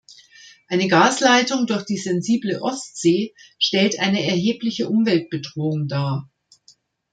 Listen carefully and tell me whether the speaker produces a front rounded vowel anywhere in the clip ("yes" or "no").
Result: no